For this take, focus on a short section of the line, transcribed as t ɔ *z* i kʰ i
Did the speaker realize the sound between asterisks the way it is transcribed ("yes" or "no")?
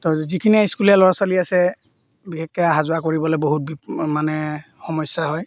yes